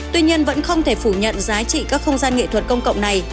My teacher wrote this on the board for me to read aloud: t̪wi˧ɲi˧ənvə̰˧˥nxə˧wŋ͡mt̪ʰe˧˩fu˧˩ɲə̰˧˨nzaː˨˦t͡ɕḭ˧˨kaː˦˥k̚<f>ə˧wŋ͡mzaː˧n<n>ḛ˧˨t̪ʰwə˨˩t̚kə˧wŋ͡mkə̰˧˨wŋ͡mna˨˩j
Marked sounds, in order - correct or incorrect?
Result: incorrect: x, incorrect: ŋ

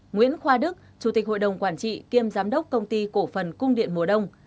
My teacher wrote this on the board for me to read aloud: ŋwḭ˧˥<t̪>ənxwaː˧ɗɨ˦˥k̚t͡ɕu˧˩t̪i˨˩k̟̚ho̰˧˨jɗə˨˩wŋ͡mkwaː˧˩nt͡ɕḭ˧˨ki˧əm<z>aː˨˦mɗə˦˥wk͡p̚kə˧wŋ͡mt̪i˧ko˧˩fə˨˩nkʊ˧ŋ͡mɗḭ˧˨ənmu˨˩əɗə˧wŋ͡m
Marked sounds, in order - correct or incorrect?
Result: incorrect: none, correct

